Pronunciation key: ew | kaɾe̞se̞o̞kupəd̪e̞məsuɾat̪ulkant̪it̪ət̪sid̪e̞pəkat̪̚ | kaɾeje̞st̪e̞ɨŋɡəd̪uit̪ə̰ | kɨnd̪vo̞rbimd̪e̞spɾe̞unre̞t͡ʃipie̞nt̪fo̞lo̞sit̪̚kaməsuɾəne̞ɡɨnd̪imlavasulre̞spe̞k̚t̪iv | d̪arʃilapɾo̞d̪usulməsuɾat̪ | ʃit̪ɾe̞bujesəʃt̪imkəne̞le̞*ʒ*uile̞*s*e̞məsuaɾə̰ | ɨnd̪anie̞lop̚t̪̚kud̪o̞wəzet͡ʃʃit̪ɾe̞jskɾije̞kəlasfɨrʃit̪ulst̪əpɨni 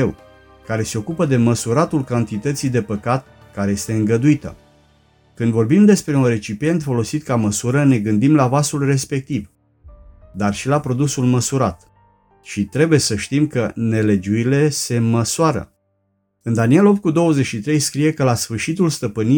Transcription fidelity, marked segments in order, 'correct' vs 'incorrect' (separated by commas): incorrect, correct